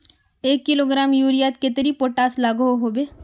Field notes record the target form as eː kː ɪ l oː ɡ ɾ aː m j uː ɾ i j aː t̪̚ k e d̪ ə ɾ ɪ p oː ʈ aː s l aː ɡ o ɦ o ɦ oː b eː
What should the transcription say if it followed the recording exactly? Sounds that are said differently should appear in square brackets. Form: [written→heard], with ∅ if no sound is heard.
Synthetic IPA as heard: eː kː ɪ l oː ɡ ɾ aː m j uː ɾ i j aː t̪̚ k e [d̪→t̪] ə ɾ [ɪ→i] p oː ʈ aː s l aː ɡ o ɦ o ɦ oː b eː